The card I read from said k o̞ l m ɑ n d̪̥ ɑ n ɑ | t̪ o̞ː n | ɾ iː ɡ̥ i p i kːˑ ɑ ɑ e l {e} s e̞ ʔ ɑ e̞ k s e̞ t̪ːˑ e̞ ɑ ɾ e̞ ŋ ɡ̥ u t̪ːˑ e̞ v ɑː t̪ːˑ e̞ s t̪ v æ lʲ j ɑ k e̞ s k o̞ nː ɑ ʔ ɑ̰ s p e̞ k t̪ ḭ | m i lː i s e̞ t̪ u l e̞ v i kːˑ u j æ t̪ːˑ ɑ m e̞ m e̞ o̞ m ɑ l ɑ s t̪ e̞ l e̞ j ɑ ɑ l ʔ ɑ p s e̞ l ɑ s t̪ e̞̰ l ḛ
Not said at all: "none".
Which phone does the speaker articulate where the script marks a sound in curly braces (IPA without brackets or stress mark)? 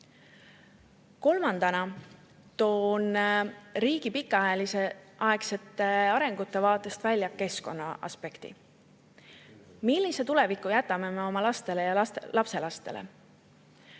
i